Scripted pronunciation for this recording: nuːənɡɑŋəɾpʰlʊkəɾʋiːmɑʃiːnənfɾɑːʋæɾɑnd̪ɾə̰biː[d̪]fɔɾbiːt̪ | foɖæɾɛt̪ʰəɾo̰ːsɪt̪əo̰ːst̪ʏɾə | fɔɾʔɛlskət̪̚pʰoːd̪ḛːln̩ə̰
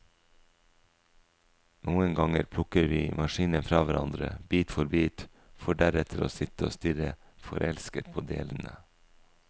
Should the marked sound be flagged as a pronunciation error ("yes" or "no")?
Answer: yes